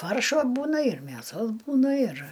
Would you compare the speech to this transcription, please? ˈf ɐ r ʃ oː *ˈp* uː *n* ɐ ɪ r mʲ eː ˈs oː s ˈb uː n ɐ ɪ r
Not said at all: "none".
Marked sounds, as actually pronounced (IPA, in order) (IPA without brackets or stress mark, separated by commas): b, n